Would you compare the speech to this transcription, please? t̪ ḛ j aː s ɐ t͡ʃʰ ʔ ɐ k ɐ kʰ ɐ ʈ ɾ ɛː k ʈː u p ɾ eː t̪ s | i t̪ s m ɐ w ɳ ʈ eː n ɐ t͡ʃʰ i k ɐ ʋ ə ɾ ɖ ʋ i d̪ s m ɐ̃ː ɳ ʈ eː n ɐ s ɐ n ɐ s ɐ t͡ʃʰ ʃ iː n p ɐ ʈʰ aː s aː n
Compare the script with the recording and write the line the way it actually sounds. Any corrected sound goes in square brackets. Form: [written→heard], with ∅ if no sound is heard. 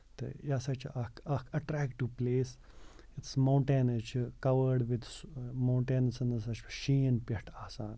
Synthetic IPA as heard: t̪ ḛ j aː s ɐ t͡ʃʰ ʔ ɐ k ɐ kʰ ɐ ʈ ɾ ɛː k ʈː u p [ɾ→l] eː [t̪→∅] s | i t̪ s m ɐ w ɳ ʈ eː n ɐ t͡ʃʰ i k ɐ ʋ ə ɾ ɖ ʋ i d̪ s m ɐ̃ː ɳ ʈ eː n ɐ s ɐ n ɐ s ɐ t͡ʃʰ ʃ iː n p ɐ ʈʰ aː s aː n